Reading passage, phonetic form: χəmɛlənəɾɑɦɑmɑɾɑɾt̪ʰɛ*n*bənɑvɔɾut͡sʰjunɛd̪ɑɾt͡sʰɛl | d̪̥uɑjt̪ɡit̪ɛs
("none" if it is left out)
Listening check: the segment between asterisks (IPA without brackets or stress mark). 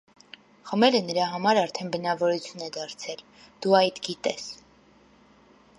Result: n